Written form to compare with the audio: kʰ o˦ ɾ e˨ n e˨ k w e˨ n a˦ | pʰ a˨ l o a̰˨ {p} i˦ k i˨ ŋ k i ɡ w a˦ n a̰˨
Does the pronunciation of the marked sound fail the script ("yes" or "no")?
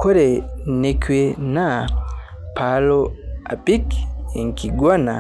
no